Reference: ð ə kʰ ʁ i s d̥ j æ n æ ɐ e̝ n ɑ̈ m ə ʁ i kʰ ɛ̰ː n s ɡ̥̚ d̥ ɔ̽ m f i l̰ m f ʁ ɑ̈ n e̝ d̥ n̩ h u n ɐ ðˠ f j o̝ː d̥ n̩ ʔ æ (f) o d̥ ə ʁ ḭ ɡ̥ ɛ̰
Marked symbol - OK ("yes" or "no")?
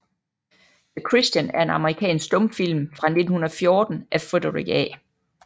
yes